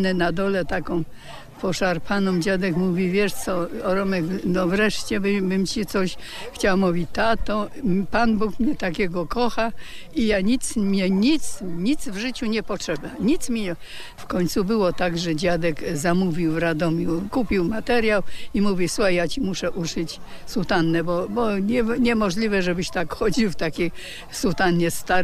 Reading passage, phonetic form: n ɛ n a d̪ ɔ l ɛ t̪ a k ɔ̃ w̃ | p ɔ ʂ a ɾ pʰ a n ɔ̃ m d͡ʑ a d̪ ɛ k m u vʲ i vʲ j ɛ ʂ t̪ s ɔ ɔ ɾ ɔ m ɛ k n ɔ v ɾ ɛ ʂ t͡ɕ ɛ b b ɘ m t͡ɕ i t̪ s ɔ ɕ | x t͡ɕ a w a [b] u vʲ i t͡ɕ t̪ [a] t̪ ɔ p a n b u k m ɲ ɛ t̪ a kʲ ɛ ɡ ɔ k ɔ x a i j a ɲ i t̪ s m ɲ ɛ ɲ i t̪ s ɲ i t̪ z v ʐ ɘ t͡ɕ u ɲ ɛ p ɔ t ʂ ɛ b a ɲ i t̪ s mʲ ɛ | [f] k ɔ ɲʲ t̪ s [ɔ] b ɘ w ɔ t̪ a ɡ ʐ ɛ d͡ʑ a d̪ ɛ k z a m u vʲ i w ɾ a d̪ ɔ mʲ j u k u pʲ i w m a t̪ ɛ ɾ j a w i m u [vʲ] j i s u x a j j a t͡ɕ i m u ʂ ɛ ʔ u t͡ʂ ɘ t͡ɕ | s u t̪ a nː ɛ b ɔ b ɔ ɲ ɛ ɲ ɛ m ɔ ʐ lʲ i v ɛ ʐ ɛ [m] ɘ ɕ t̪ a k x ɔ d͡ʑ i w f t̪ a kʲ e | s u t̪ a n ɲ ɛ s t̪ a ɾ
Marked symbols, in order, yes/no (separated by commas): no, yes, yes, no, yes, no